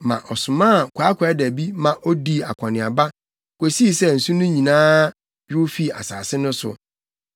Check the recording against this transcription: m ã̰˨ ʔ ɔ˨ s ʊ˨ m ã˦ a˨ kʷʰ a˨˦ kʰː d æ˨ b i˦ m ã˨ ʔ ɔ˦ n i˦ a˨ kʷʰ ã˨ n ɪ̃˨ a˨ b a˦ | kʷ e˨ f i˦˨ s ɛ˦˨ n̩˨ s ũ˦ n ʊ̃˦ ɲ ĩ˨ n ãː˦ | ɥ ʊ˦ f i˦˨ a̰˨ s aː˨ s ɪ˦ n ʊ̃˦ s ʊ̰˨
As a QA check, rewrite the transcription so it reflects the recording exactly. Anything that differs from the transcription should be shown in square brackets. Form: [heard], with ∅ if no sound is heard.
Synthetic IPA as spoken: m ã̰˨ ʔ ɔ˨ s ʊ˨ m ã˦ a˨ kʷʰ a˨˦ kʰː d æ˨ b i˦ m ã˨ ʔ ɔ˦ [d] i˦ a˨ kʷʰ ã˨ n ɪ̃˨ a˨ b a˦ | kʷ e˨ [s] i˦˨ s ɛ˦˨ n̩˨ s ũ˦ n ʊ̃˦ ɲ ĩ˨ n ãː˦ | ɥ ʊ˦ f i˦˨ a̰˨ s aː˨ s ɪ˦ n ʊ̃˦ s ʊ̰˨

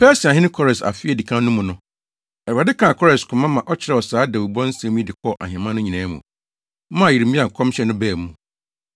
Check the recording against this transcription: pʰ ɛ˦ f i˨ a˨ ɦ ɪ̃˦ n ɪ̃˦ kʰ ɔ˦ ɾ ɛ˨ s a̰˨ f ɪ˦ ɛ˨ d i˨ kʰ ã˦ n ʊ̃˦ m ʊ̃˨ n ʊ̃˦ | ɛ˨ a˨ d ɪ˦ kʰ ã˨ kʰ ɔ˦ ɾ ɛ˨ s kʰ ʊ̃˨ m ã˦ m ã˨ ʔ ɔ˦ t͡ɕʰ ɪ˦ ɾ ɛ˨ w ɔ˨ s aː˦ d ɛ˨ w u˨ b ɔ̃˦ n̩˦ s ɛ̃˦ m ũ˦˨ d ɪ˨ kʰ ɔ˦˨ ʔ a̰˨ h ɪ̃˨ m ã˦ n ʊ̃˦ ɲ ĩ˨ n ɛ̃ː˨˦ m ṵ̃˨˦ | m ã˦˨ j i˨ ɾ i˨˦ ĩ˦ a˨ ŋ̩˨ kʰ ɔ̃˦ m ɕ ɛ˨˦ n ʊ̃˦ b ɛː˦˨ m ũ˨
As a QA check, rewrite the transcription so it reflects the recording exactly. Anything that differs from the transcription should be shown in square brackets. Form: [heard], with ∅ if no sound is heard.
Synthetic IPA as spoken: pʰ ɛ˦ [s] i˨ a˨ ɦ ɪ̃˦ n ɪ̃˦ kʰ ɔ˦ ɾ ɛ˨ s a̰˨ f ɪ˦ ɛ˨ d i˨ kʰ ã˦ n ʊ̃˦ m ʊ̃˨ n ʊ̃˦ | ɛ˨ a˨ d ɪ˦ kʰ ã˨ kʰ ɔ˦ ɾ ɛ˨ s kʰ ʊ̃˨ m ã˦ m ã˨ ʔ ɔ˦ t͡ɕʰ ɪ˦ ɾ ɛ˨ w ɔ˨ s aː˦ d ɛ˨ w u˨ b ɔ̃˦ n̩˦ s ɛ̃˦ m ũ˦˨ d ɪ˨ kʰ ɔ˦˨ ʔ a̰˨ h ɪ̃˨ m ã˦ n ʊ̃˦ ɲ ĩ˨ n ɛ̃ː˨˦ m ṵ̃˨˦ | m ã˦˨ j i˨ ɾ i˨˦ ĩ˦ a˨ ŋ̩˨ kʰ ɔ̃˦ m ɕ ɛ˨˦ n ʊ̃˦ b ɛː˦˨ m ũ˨

